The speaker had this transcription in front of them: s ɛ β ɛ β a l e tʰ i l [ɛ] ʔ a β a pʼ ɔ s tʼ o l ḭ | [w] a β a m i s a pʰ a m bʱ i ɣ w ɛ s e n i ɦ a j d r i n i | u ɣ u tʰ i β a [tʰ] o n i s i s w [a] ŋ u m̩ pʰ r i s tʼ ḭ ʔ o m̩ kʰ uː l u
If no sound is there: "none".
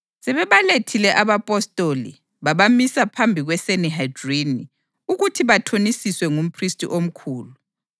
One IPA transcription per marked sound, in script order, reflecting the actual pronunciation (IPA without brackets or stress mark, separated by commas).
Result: ɛ, β, tʰ, ɛ